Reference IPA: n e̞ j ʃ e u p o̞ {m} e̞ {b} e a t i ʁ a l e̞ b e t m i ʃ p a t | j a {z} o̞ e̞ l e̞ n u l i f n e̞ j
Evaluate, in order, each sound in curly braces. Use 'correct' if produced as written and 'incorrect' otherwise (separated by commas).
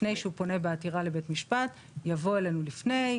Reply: incorrect, correct, incorrect